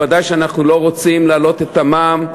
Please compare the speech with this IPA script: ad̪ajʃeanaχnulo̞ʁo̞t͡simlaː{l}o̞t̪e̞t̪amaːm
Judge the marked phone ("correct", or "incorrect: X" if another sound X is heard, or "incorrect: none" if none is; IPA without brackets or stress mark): correct